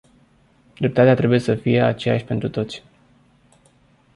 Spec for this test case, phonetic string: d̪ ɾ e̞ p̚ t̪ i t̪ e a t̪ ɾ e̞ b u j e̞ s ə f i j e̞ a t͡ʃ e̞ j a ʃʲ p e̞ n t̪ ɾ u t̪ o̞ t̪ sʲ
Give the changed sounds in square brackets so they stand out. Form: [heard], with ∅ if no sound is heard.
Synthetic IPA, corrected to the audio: d̪ ɾ e̞ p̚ t̪ [a] t̪ e a t̪ ɾ e̞ b u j e̞ s ə f i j e̞ a t͡ʃ e̞ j a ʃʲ p e̞ n t̪ ɾ u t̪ o̞ t̪ sʲ